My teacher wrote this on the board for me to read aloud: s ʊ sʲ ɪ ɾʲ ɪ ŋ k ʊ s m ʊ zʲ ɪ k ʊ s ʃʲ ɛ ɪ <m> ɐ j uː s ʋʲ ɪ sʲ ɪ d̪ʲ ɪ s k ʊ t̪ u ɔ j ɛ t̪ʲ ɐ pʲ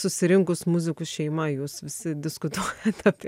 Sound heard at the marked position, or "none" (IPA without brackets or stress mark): m